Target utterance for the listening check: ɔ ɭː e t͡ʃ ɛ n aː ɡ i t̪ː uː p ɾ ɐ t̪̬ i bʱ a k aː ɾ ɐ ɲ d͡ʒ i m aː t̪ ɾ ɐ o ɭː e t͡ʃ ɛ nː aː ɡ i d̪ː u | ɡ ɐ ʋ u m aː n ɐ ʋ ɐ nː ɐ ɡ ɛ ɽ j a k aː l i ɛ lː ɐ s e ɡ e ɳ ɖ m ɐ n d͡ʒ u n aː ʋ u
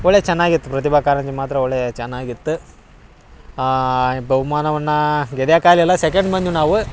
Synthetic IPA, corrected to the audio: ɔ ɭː e t͡ʃ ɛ nː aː ɡ i t̪ː u p ɾ ɐ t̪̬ i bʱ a k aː ɾ ɐ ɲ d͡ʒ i m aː t̪ ɾ ɐ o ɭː e t͡ʃ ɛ nː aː ɡ i t̪ː u | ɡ ɐ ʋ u m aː n ɐ ʋ ɐ nː ɐ ɡ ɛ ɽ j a k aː l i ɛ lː ɐ s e k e ɳ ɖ m ɐ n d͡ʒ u n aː ʋ u